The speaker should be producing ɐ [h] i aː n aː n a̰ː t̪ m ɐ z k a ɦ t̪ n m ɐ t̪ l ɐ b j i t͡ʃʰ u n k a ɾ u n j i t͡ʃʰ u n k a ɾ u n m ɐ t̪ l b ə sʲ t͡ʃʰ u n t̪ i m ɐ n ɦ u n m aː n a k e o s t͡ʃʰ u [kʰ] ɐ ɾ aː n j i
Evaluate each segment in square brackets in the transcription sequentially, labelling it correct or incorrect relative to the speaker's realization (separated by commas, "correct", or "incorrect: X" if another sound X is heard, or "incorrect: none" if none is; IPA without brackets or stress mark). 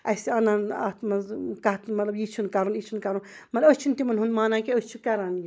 incorrect: s, incorrect: k